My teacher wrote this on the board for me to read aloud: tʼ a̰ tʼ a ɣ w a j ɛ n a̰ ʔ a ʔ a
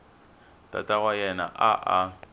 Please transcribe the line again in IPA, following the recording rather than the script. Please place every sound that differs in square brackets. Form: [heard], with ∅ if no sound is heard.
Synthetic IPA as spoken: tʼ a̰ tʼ a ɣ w a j ɛ n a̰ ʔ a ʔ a